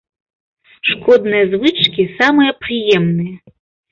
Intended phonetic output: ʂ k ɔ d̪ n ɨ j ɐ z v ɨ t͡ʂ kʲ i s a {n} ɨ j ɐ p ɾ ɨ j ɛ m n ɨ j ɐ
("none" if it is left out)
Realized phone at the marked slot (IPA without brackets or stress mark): m